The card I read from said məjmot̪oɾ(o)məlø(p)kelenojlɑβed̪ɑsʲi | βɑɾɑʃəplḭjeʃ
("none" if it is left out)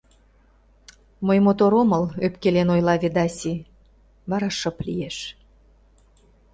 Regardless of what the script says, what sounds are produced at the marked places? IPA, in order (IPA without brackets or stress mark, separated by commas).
o, p